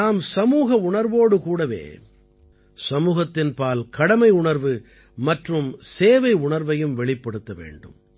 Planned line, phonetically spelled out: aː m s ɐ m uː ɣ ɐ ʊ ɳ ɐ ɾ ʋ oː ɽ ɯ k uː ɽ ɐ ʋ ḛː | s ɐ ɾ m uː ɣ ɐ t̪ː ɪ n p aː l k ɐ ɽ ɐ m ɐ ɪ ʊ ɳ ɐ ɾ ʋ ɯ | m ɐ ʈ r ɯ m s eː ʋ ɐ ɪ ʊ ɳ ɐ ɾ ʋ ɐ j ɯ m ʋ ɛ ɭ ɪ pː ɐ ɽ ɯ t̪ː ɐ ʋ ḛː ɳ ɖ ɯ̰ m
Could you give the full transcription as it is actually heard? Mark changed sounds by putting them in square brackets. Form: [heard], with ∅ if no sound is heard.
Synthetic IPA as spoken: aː m s ɐ m uː ɣ ɐ ʊ ɳ ɐ ɾ ʋ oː ɽ ɯ k uː ɽ ɐ ʋ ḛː | s ɐ [∅] m uː ɣ ɐ t̪ː ɪ n p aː l k ɐ ɽ ɐ m ɐ ɪ ʊ ɳ ɐ ɾ ʋ ɯ | m ɐ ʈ r ɯ m s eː ʋ ɐ ɪ ʊ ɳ ɐ ɾ ʋ ɐ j ɯ m ʋ ɛ ɭ ɪ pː ɐ ɽ ɯ t̪ː ɐ ʋ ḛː ɳ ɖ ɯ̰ m